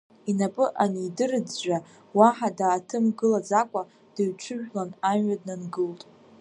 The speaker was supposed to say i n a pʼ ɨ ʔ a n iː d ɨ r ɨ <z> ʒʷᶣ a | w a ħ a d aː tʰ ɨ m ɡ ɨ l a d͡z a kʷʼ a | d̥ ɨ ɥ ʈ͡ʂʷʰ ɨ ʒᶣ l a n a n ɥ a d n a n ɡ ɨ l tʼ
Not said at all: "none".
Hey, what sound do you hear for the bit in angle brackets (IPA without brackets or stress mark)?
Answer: d͡z